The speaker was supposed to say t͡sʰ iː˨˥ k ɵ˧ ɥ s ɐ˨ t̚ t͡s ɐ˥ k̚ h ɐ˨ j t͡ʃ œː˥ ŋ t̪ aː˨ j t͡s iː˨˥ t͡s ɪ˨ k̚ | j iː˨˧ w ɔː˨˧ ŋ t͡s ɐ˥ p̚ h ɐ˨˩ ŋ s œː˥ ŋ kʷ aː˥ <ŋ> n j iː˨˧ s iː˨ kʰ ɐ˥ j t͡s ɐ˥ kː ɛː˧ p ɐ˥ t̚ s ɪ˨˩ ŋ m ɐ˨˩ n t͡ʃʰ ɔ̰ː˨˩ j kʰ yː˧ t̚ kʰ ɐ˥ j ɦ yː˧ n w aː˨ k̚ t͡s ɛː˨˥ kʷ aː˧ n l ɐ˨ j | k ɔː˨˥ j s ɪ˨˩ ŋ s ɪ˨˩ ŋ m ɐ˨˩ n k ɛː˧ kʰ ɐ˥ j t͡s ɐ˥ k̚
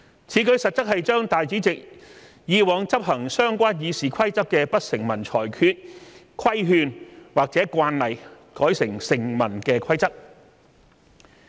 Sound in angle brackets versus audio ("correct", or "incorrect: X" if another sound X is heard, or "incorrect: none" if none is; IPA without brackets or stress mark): incorrect: none